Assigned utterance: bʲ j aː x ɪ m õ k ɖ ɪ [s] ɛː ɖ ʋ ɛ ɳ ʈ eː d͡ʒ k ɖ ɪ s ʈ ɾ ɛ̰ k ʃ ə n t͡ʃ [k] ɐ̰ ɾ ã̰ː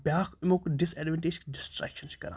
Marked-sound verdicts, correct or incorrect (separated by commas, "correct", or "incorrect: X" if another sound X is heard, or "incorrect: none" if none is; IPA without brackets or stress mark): correct, correct